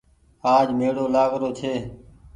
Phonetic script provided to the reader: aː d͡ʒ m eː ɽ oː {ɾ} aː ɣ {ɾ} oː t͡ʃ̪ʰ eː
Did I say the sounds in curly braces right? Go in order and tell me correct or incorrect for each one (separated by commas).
incorrect, correct